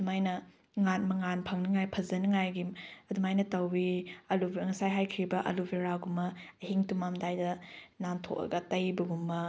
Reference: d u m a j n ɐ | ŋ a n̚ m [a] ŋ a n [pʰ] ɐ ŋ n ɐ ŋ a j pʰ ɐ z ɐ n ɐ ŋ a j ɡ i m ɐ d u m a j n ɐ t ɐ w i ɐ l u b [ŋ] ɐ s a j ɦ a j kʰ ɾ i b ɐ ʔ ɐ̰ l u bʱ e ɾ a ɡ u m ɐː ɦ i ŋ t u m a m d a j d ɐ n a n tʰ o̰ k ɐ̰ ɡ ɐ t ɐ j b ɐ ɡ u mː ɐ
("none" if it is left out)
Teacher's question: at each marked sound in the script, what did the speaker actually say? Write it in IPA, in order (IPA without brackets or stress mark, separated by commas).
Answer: ɐ, pʰ, ŋ